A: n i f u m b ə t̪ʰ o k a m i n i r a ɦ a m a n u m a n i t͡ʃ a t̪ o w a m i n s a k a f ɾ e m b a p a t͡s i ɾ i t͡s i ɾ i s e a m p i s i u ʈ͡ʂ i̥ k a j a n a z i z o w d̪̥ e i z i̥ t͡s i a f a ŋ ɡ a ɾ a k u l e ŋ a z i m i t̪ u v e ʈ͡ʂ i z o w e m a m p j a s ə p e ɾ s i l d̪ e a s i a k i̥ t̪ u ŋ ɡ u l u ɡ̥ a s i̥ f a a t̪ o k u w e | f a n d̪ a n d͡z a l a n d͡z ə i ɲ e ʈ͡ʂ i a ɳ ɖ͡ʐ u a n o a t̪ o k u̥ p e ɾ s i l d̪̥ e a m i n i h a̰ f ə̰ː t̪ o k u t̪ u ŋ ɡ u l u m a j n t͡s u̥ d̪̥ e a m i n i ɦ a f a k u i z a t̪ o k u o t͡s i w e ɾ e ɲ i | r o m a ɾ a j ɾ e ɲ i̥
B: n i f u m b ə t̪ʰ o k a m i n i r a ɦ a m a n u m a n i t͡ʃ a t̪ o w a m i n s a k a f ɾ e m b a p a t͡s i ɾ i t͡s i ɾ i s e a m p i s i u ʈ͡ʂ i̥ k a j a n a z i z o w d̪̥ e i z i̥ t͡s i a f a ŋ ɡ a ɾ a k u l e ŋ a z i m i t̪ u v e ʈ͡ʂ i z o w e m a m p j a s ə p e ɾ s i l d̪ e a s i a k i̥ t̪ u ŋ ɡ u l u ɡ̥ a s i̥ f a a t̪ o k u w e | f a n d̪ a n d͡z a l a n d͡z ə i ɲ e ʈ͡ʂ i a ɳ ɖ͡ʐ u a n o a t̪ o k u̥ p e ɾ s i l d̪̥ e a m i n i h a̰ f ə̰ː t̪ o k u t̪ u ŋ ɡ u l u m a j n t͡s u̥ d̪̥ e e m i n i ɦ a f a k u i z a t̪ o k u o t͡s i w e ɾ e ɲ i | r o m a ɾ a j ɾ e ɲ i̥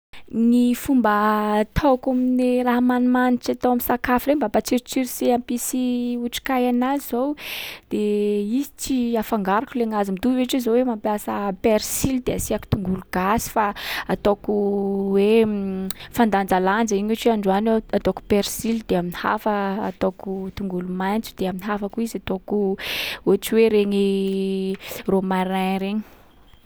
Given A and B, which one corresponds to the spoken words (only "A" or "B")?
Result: A